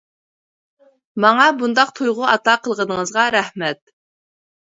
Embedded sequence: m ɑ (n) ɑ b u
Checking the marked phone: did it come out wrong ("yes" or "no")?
yes